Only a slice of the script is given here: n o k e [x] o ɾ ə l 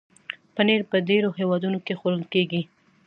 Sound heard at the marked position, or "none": x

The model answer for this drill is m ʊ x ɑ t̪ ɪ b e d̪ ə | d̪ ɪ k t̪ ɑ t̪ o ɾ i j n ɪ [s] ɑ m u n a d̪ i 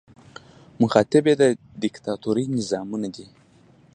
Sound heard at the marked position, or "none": z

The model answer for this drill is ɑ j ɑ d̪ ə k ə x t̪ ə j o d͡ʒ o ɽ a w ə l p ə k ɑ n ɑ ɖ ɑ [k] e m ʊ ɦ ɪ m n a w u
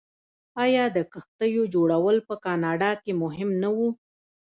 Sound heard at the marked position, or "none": k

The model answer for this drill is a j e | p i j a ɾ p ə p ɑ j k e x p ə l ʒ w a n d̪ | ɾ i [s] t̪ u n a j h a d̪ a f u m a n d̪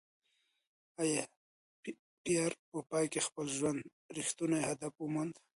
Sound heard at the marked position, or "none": x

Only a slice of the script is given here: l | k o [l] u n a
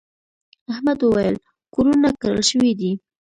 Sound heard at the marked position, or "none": ɾ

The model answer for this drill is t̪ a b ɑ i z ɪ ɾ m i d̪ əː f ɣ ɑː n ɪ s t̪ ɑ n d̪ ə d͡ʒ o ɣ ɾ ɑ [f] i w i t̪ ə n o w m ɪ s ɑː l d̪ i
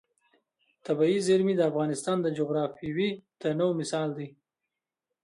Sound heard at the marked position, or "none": f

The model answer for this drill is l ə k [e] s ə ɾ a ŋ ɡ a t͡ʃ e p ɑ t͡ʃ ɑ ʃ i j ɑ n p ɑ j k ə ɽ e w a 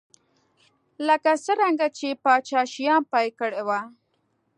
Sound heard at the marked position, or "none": a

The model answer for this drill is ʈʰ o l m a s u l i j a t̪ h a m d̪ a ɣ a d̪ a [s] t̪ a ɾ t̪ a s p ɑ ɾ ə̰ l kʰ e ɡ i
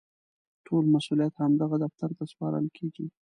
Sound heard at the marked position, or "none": f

